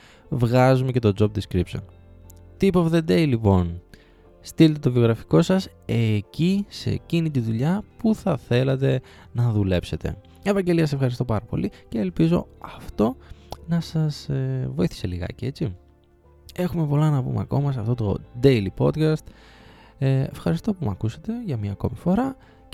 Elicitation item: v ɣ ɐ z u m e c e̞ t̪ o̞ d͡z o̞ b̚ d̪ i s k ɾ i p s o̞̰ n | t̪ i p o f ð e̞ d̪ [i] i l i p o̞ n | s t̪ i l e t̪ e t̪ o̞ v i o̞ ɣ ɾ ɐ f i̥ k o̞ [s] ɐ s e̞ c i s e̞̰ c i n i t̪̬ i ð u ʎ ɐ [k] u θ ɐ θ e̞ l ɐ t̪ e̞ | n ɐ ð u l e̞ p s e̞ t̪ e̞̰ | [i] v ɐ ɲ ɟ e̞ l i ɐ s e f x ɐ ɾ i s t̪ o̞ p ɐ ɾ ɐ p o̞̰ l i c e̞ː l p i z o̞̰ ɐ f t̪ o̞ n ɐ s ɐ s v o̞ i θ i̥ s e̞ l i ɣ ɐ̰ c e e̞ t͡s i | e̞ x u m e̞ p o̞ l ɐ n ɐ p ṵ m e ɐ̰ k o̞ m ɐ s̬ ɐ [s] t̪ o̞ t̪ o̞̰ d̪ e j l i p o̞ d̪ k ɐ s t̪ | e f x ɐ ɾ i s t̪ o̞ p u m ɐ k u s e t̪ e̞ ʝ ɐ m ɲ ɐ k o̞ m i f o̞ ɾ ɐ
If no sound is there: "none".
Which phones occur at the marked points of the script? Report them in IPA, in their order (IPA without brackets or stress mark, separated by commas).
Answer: e, s, p, e, f